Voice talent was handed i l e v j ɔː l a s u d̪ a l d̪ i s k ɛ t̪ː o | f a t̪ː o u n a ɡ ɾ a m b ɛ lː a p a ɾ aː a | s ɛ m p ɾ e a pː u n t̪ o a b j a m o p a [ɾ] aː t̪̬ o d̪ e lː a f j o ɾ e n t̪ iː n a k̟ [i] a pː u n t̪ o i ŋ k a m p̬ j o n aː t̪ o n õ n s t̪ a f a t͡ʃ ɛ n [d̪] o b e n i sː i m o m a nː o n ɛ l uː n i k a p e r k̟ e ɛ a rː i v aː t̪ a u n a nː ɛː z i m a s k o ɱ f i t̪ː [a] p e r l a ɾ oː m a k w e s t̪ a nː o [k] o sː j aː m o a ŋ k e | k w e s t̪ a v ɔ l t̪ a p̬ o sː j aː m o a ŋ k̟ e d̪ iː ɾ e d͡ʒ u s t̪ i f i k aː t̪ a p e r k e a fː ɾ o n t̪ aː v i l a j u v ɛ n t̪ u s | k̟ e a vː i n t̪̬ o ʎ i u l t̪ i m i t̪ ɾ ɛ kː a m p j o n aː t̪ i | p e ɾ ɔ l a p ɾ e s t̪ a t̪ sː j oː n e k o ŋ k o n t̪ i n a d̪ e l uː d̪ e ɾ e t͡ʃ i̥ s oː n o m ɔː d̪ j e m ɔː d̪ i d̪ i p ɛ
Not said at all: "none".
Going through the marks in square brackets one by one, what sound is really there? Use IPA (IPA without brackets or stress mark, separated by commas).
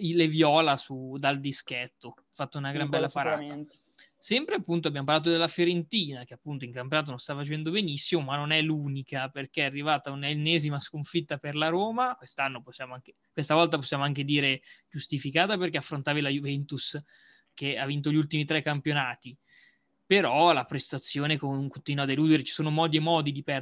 l, e, d̪, a, p